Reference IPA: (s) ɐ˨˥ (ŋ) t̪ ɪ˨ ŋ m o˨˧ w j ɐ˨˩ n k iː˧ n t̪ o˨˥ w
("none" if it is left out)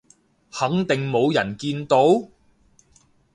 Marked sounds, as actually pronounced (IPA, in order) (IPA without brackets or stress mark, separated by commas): h, ŋ